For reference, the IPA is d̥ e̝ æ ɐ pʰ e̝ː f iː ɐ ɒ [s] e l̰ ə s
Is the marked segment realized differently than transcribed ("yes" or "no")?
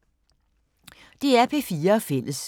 yes